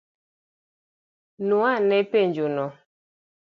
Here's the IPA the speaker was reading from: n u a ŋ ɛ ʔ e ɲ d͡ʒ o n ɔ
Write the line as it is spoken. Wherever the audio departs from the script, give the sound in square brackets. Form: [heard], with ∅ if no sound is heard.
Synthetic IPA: n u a [n] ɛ [p] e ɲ d͡ʒ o n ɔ